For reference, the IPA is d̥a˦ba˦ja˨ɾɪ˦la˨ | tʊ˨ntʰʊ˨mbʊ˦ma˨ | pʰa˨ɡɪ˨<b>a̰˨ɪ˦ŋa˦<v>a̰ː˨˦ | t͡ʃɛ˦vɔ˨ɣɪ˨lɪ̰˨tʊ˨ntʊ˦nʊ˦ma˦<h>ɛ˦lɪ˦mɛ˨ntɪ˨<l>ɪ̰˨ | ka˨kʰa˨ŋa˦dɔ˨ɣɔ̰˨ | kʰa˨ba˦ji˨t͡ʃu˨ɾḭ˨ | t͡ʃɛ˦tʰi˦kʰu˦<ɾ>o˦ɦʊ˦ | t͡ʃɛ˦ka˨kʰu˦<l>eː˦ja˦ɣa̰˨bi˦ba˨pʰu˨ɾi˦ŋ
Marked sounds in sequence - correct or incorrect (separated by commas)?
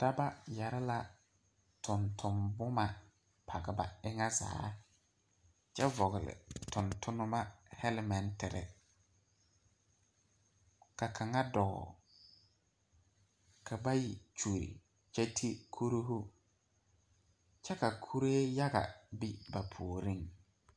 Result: correct, incorrect, correct, incorrect, correct, incorrect